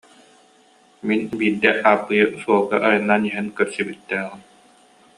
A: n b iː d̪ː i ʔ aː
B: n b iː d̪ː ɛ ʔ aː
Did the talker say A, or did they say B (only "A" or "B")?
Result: B